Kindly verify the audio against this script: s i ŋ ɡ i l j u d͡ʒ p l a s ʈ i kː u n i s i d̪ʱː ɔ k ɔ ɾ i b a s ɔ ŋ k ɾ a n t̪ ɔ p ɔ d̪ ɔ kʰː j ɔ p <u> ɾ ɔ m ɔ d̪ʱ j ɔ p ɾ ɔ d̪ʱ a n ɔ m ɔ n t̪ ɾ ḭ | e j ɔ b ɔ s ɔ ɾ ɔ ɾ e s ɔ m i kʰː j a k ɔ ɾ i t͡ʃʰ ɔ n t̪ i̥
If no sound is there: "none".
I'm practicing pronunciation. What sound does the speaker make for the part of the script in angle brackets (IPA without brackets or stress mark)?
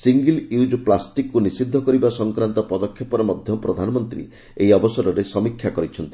ɔ